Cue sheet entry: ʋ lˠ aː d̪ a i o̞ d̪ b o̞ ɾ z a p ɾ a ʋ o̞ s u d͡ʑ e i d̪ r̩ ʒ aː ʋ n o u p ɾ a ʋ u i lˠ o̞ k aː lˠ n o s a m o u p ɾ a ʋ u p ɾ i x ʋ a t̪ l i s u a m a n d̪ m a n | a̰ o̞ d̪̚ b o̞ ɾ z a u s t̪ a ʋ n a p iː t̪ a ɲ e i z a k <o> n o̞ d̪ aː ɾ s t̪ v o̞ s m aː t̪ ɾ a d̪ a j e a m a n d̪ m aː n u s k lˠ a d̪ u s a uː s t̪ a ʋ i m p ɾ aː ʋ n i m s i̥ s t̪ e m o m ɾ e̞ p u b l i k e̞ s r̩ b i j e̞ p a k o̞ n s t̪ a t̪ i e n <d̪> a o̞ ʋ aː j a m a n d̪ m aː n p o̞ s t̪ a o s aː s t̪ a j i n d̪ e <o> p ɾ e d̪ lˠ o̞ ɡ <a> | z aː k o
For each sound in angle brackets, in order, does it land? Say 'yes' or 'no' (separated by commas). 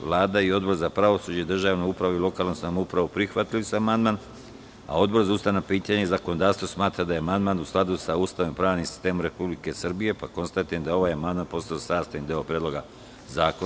yes, yes, yes, yes